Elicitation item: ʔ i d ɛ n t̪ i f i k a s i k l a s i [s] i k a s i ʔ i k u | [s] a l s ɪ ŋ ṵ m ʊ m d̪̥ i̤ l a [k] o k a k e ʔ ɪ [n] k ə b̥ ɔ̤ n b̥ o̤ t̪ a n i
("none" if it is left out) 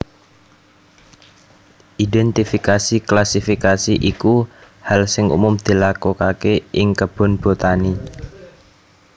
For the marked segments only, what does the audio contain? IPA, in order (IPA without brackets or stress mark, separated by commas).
f, h, k, ŋ